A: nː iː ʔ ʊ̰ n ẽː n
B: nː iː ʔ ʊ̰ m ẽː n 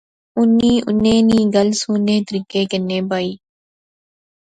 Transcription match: A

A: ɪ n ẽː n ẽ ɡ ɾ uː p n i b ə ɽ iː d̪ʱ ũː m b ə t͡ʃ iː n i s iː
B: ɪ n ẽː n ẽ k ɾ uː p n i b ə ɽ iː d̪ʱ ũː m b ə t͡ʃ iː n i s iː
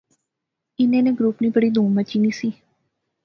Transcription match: A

